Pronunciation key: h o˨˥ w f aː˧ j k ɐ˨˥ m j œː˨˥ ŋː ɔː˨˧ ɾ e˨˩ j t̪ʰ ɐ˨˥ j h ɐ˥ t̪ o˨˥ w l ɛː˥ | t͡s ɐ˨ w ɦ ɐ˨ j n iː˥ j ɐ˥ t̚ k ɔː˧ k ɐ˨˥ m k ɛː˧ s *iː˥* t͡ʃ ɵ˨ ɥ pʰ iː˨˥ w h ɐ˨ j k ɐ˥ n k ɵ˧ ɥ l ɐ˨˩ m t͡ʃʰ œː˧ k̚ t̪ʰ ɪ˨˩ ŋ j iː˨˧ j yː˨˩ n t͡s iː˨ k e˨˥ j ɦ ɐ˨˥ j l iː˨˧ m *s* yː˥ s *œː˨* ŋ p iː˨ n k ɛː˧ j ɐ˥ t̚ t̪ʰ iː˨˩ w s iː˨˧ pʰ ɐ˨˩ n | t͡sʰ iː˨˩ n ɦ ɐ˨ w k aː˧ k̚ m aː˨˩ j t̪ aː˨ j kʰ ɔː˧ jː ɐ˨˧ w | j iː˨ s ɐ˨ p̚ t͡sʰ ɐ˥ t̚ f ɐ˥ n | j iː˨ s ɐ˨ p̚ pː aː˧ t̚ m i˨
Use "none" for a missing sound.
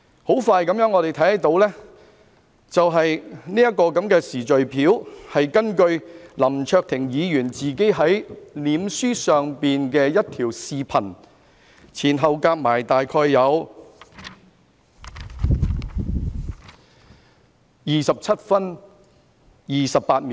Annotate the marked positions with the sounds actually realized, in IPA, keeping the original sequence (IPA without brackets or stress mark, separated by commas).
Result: iː˨˩, s, œː˨